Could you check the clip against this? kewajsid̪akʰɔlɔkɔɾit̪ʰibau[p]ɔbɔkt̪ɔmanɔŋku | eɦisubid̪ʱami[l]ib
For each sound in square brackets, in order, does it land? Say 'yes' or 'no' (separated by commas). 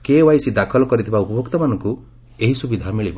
yes, no